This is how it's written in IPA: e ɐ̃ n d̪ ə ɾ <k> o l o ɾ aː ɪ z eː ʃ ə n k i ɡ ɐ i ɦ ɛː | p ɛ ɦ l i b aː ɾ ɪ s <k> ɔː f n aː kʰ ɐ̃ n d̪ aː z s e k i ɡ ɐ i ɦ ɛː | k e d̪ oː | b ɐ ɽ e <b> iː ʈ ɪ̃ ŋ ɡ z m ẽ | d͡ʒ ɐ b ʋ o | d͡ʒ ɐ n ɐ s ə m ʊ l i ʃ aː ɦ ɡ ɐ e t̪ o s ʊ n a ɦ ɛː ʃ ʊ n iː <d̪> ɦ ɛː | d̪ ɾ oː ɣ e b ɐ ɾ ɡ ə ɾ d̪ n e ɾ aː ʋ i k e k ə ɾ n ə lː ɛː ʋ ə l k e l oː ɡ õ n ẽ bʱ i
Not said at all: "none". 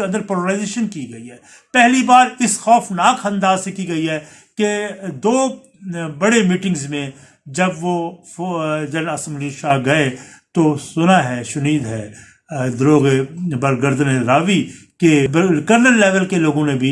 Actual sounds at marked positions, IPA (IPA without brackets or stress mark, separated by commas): p, x, m, d̪